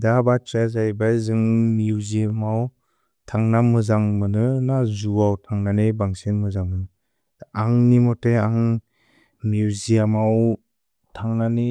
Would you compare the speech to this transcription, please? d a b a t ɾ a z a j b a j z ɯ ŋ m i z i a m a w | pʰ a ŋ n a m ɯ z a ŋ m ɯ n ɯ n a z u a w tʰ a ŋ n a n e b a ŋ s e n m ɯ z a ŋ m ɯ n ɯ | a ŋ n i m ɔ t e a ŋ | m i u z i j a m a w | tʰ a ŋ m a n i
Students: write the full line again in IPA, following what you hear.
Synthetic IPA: d a b a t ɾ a z a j b a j z ɯ ŋ m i z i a m a w | tʰ a ŋ n a m ɯ z a ŋ m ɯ n ɯ n a z u a w tʰ a ŋ n a n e b a ŋ s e n m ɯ z a ŋ m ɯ n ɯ | a ŋ n i m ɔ t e a ŋ | m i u z i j a m a w | tʰ a ŋ n a n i